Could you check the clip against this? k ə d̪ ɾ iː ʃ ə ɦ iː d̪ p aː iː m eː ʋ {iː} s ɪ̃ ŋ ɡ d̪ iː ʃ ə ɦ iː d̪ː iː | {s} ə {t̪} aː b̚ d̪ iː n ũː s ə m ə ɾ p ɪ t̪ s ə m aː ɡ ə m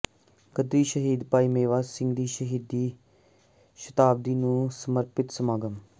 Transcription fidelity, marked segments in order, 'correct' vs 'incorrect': incorrect: aː, incorrect: ʃ, correct

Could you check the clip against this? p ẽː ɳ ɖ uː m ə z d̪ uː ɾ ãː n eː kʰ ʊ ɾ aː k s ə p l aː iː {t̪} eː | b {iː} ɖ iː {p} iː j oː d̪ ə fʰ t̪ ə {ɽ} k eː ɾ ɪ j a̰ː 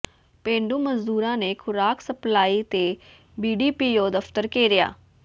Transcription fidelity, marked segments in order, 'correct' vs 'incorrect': correct, correct, correct, incorrect: ɾ

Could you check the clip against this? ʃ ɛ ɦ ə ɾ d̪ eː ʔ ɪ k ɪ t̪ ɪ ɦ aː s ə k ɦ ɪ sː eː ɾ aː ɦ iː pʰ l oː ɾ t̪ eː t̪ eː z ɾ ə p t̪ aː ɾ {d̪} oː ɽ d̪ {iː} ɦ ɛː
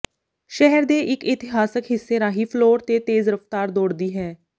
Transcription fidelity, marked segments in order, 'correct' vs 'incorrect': correct, correct

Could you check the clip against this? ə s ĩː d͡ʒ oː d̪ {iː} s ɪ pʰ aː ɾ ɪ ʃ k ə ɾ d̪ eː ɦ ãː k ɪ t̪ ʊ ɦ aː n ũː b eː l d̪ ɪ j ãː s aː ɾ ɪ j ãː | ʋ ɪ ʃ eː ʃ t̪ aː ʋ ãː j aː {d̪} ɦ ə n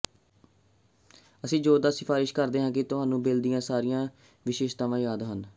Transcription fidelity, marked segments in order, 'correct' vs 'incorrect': incorrect: aː, correct

